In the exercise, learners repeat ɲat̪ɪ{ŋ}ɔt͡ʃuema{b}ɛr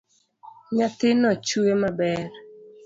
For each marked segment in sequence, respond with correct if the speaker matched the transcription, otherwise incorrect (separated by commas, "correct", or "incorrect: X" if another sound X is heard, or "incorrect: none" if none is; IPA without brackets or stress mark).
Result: incorrect: n, correct